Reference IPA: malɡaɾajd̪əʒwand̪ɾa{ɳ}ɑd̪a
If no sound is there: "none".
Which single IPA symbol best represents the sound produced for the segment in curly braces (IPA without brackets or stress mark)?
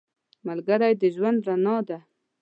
n